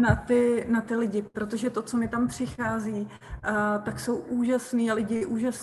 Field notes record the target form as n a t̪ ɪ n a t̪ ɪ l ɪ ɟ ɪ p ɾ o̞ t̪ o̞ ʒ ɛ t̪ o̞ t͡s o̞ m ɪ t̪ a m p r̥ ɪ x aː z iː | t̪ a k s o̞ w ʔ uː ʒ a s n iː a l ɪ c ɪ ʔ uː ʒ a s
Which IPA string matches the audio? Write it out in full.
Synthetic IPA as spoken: n a t̪ ɪ n a t̪ ɪ l ɪ ɟ ɪ p ɾ o̞ t̪ o̞ ʒ ɛ t̪ o̞ t͡s o̞ m ɪ t̪ a m p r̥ ɪ x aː z iː | t̪ a k s o̞ w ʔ uː ʒ a s n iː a l ɪ ɟ ɪ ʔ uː ʒ a s